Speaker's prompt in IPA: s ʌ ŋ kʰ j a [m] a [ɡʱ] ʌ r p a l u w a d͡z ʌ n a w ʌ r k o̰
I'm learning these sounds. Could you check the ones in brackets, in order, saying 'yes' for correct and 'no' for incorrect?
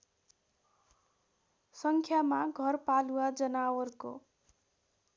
yes, yes

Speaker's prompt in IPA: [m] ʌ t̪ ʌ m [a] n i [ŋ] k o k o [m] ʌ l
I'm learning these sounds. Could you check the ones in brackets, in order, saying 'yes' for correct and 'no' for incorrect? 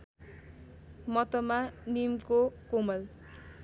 yes, yes, no, yes

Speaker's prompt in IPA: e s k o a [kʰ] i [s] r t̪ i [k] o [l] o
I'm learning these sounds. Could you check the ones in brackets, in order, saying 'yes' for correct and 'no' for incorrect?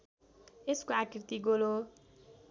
no, no, no, yes

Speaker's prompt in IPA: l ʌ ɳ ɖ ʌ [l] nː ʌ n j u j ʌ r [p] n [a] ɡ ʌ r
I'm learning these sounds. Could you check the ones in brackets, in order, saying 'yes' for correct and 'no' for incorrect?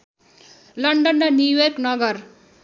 no, no, no

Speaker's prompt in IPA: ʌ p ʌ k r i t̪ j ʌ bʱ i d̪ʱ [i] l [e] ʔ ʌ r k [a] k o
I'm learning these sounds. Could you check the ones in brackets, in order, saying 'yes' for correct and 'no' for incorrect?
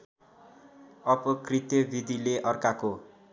yes, yes, yes

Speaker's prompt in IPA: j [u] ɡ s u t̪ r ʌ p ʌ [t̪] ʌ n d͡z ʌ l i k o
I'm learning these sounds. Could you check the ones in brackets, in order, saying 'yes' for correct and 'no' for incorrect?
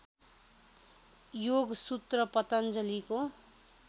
no, yes

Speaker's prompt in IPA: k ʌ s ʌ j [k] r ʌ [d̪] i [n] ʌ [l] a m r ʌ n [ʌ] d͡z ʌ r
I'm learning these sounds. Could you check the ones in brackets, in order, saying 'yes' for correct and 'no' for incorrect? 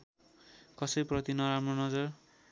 no, no, yes, no, yes

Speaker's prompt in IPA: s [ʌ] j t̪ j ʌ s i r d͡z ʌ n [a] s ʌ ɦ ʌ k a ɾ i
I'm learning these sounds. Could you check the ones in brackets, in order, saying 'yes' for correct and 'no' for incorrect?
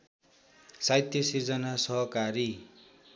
no, yes

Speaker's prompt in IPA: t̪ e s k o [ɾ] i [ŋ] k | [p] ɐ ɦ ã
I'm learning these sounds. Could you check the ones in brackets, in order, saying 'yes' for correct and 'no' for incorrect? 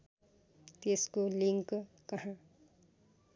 no, yes, no

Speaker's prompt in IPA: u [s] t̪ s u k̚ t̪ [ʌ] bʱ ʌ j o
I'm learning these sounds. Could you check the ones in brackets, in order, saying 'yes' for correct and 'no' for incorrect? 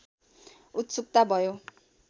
no, no

